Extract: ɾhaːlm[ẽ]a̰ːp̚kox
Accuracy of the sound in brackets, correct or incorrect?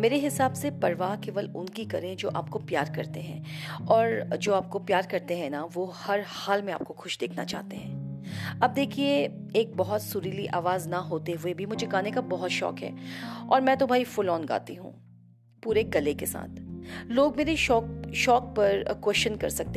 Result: correct